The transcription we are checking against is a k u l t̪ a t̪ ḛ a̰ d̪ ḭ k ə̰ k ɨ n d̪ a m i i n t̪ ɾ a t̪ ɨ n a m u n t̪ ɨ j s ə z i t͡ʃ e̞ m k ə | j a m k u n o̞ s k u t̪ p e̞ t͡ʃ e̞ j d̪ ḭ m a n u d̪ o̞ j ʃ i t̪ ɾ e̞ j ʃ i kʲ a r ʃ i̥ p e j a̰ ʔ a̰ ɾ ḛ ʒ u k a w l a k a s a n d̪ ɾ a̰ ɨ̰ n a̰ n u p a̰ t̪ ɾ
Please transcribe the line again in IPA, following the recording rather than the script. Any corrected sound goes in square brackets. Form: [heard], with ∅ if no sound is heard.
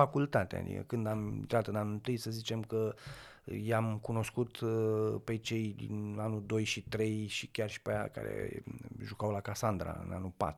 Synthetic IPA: a k u l t̪ a t̪ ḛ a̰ d̪ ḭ k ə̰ k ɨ n d̪ a m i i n t̪ ɾ a t̪ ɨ n a [n] u n t̪ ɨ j s ə z i t͡ʃ e̞ m k ə | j a m k u n o̞ s k u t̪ p e̞ t͡ʃ e̞ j d̪ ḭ [n] a n u d̪ o̞ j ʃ i t̪ ɾ e̞ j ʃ i kʲ a r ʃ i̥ p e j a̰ [k] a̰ ɾ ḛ ʒ u k a w l a k a s a n d̪ ɾ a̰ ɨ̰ n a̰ n u p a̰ t̪ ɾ